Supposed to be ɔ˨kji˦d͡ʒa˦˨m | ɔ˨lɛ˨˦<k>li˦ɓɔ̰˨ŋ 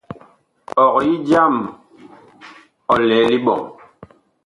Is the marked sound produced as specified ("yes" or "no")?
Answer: no